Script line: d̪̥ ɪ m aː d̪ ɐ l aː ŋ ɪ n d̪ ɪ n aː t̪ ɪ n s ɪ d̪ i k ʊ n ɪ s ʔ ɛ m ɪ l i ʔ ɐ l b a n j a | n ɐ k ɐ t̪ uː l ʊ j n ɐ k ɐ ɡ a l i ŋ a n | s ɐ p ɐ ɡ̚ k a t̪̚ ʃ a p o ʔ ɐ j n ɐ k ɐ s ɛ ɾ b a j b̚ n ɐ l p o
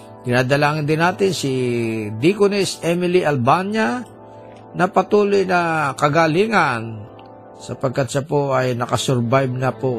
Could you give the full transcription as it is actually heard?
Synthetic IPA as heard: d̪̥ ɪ n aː d̪ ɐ l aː ŋ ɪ n d̪ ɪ n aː t̪ ɪ n s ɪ d̪ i k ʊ n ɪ s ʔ ɛ m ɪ l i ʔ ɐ l b a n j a | n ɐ p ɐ t̪ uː l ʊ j n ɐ k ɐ ɡ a l i ŋ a n | s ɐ p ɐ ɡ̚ k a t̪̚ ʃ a p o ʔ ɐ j n ɐ k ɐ s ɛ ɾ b a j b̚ n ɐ p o